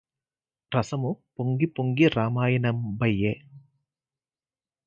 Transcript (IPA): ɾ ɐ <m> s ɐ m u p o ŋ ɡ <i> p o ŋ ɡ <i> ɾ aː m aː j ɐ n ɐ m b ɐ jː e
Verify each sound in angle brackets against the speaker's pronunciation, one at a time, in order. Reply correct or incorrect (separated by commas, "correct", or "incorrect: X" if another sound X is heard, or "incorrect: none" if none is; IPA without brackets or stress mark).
incorrect: none, correct, correct